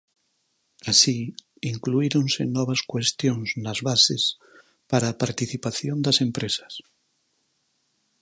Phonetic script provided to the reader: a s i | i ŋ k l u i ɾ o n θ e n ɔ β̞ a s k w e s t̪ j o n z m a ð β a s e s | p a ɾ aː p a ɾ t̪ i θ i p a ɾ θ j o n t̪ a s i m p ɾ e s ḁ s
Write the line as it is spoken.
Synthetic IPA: a s i | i ŋ k l u i ɾ o n s e n ɔ β̞ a s k w e s t̪ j o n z n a z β a s e s | p a ɾ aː p a ɾ t̪ i θ i p a θ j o n d̪ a s e m p ɾ e s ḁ s